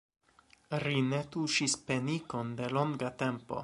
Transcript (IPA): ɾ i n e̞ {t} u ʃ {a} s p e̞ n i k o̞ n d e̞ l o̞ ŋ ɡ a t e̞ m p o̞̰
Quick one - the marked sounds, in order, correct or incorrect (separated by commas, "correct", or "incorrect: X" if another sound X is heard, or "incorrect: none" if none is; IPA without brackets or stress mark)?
correct, incorrect: i